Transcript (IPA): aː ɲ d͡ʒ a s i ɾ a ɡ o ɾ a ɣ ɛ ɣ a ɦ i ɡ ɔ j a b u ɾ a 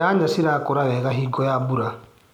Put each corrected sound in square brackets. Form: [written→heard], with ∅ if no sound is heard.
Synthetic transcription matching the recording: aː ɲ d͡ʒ a s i ɾ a [ɡ→k] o ɾ a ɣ ɛ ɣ a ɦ i ɡ ɔ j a b u ɾ a